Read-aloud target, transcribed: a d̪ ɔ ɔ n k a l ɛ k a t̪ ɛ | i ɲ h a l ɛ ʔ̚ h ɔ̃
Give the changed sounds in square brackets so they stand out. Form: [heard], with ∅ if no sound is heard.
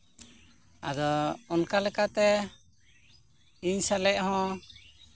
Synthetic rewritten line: a d̪ ɔ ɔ n k a l ɛ k a t̪ ɛ | i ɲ [s] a l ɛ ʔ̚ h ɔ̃